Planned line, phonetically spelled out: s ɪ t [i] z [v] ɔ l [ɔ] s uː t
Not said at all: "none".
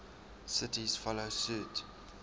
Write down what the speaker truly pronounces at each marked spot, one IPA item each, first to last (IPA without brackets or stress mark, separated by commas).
i, f, o